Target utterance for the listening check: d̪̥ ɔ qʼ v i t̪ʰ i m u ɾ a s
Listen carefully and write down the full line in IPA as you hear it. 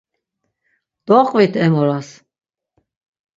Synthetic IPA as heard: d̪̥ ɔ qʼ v i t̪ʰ ɛ m ɔ ɾ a s